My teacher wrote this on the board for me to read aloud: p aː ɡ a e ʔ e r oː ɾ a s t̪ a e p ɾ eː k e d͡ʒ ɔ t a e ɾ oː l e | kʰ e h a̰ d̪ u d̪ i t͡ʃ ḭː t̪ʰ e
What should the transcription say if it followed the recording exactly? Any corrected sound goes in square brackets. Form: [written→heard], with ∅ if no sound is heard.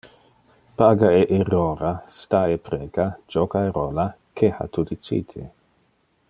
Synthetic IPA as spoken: p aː ɡ a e ʔ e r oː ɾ a s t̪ a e p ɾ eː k [e→a] d͡ʒ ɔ [t→k] a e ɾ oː l [e→a] | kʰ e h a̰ [d̪→t̪] u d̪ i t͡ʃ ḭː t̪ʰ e